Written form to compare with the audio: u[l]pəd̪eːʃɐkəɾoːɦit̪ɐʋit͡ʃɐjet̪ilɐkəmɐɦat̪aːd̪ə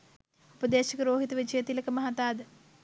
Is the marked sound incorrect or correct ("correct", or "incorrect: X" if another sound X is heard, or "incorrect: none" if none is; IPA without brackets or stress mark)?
incorrect: none